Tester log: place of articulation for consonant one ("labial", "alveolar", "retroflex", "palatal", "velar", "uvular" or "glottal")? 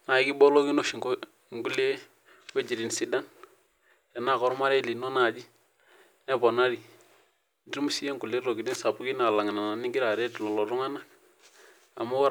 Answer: alveolar